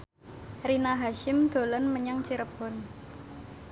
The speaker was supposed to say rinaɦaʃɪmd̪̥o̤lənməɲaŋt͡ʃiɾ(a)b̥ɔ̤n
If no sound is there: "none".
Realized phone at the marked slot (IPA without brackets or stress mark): ə